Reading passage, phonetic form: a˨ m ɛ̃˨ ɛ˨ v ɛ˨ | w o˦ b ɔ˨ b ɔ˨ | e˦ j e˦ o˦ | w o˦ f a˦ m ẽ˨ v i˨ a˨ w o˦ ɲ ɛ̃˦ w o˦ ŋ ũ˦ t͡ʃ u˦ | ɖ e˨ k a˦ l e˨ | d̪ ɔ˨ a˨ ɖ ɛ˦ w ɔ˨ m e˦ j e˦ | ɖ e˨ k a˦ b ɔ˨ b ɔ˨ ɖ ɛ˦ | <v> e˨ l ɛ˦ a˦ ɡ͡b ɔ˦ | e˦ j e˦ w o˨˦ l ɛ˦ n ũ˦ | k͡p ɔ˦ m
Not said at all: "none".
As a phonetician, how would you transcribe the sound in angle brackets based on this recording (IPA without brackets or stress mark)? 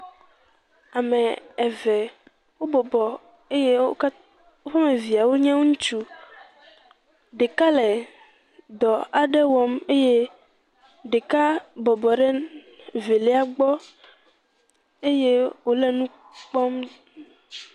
v